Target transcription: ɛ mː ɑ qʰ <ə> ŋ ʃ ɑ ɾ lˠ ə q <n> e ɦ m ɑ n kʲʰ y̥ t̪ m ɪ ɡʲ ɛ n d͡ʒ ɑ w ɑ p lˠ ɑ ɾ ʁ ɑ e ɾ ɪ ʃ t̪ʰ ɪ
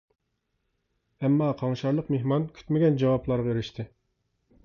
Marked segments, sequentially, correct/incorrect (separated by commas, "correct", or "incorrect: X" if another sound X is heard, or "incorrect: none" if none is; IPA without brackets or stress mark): incorrect: ɑ, incorrect: m